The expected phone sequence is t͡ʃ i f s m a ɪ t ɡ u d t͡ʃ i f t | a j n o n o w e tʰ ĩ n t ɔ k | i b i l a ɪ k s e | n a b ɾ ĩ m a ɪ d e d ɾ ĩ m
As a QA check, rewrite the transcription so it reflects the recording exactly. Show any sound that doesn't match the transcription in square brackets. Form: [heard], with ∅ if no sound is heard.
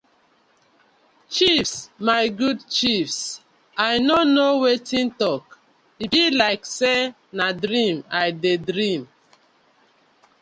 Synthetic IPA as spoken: t͡ʃ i f s m a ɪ [∅] ɡ u d t͡ʃ i f [s] | a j n o n o w e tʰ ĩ n t ɔ k | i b i l a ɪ k s e | n a [d] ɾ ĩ m a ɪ d e d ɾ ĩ m